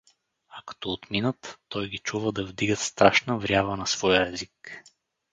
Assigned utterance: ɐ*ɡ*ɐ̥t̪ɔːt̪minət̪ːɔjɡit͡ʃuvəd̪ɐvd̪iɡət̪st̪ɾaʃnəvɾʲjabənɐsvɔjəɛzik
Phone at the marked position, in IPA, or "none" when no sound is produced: k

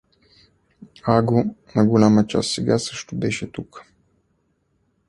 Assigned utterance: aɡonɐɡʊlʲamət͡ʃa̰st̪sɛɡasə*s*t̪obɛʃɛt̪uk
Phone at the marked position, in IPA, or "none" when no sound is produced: ʃ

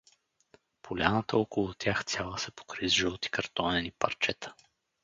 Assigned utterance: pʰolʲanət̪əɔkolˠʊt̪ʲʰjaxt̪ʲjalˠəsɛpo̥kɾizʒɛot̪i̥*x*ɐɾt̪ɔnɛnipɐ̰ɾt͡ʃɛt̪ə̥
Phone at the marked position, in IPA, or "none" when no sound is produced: k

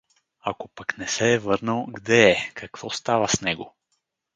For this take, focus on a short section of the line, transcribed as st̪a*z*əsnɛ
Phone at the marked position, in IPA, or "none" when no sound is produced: v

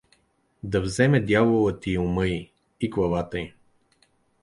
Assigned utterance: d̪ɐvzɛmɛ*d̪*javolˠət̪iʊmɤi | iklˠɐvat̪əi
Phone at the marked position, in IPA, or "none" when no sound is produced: d̪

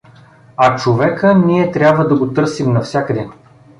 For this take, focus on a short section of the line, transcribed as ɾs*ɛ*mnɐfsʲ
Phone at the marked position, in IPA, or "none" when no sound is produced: i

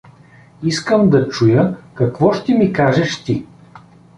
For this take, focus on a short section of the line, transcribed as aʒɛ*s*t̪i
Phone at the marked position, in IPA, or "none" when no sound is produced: ʃ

